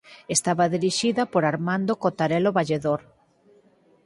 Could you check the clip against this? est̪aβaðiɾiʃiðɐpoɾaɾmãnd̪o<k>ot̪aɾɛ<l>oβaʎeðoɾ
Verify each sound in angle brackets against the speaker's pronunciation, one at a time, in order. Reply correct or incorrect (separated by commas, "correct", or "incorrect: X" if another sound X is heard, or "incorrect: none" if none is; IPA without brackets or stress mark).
correct, correct